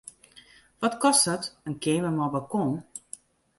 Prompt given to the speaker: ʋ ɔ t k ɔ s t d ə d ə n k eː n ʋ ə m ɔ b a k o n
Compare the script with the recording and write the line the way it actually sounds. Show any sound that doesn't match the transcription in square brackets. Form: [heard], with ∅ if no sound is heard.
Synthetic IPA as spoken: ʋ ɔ t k ɔ s t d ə [t] ə n k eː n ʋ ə m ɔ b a k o n